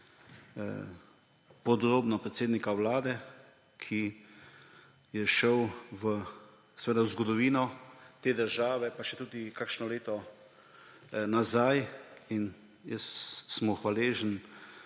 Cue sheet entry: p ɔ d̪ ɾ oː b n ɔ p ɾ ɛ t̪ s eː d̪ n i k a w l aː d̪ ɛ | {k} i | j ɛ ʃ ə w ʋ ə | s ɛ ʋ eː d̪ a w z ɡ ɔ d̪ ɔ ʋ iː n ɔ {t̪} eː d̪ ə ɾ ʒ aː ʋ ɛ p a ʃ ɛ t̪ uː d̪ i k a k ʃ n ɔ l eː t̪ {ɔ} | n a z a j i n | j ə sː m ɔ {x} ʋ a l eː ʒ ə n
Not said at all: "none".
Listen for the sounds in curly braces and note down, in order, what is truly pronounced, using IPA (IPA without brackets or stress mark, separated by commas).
kʰ, t̪, ɔ, x